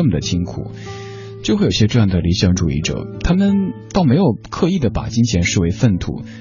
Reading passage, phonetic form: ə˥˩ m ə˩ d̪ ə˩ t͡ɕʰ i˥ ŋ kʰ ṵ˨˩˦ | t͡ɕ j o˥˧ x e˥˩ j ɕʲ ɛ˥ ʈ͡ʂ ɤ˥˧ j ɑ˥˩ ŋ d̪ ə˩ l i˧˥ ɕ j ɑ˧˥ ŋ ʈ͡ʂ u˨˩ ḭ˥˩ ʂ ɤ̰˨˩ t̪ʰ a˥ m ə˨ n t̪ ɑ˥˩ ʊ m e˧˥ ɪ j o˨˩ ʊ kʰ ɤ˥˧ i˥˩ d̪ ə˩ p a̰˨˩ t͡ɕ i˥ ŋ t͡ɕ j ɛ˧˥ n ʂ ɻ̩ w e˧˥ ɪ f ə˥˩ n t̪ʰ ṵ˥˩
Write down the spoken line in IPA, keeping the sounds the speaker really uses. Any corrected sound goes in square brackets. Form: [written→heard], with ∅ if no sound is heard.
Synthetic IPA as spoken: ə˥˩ m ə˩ d̪ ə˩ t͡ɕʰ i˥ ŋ kʰ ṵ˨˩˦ | t͡ɕ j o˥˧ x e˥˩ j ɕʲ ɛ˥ ʈ͡ʂ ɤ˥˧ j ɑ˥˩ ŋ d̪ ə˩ l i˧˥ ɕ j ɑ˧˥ ŋ ʈ͡ʂ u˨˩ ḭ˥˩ [ʂ→ʈ͡ʂ] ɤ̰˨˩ t̪ʰ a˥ m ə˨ n t̪ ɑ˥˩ ʊ m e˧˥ ɪ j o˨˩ ʊ kʰ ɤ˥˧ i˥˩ d̪ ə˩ p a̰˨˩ t͡ɕ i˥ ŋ [t͡ɕ→t͡ɕʰ] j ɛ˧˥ n ʂ ɻ̩ w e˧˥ ɪ f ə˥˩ n t̪ʰ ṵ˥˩